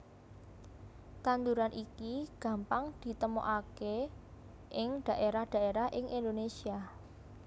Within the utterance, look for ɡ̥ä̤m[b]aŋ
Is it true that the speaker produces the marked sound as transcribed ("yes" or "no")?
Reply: no